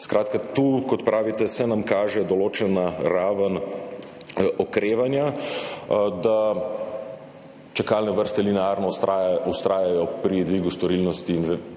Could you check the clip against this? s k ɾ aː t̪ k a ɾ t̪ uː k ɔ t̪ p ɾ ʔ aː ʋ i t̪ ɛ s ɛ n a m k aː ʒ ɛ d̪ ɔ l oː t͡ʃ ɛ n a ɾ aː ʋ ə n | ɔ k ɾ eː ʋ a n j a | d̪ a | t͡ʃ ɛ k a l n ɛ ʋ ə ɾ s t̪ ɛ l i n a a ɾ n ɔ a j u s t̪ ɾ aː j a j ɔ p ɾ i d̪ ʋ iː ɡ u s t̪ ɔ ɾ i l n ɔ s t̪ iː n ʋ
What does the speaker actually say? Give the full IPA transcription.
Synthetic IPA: s k ɾ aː t̪ k a t̪ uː k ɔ t̪ p ɾ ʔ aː ʋ i t̪ ɛ s ɛ n a m k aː ʒ ɛ d̪ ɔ l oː t͡ʃ ɛ n a ɾ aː ʋ ə n | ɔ k ɾ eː ʋ a n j a | d̪ a | t͡ʃ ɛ k a l n ɛ ʋ ə ɾ s t̪ ɛ l i n ɛ a ɾ n ɔ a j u s t̪ ɾ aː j a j ɔ p ɾ i d̪ ʋ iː ɡ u s t̪ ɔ ɾ i l n ɔ s t̪ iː n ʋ